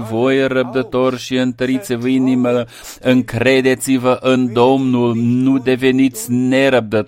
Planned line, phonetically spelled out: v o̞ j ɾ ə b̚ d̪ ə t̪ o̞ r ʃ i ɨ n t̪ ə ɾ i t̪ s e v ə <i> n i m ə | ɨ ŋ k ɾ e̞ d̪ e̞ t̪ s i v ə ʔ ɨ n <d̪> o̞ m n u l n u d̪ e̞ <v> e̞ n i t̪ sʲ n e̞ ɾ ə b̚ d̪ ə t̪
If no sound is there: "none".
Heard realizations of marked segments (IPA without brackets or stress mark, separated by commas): i, d̪, v